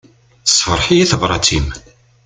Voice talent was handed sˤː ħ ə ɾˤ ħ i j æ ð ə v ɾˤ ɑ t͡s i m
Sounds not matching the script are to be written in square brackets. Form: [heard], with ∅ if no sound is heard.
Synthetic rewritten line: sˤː [f] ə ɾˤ ħ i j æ [θ] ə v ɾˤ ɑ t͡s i m